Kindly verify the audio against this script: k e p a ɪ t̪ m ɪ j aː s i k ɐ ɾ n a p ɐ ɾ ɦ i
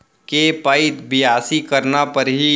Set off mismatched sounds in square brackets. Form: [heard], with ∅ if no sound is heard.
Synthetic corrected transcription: k e p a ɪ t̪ [b] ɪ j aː s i k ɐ ɾ n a p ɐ ɾ ɦ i